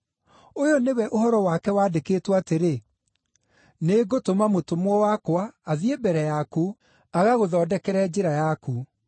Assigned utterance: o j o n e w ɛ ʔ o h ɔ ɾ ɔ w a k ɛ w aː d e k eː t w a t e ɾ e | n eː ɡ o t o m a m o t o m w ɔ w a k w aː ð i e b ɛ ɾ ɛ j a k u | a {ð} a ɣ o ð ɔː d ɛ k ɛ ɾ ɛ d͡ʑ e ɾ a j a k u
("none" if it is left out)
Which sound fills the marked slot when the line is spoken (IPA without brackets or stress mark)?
ɣ